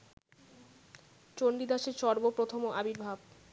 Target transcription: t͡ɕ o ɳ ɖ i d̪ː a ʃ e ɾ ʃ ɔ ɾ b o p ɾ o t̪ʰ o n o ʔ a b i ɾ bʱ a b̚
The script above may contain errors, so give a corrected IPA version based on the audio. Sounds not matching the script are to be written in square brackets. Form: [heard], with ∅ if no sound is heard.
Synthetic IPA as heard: t͡ɕ o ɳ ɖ i [d̪] a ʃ e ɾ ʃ ɔ ɾ b o p ɾ o t̪ʰ o [m] o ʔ a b i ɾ bʱ a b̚